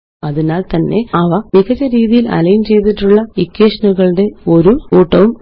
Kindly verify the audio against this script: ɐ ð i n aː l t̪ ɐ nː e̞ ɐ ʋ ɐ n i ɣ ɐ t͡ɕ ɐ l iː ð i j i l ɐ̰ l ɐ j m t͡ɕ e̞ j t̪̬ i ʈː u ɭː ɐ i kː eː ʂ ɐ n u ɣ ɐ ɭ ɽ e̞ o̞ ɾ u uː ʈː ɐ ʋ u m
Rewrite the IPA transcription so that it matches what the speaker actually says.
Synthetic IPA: ɐ ð i n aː l t̪ ɐ nː e̞ ɐ ʋ ɐ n i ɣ ɐ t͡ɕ ɐ ɾ iː ð i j i l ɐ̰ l ɐ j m t͡ɕ e̞ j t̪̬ i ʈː u ɭː ɐ i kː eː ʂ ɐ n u ɣ ɐ ɭ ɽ e̞ o̞ ɾ u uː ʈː ɐ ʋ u m